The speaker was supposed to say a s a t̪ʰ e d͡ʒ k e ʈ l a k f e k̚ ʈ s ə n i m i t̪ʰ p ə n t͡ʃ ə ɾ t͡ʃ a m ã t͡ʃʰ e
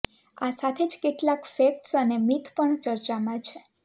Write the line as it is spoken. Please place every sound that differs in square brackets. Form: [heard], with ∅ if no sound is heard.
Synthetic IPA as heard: a s a t̪ʰ e d͡ʒ k e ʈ l a k f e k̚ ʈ s ə n [e] m i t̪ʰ p ə [ɳ] t͡ʃ ə ɾ t͡ʃ a m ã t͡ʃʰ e